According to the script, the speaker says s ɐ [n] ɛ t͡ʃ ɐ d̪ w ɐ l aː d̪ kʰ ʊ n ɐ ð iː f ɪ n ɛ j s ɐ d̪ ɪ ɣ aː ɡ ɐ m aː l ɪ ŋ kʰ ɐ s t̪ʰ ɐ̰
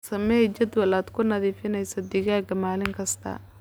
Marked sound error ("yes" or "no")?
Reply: yes